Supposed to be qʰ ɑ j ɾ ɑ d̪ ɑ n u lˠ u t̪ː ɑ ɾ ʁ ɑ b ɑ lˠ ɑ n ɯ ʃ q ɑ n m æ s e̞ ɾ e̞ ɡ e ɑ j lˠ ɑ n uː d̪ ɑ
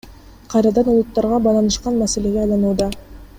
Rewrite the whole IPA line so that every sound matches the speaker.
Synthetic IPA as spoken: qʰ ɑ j ɾ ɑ d̪ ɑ n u lˠ u t̪ː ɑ ɾ ʁ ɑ b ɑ lˠ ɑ n ɯ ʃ q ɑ n m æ s e̞ l e̞ ɡ e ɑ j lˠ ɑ n uː d̪ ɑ